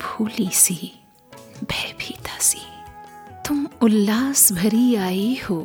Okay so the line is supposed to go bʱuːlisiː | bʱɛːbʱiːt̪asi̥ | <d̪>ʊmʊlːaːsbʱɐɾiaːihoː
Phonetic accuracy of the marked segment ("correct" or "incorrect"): incorrect